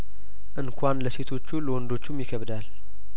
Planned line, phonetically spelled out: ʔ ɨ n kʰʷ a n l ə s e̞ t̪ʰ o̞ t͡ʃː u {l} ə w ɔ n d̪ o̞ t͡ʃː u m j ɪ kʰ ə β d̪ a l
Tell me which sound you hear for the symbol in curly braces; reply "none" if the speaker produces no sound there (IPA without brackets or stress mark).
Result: l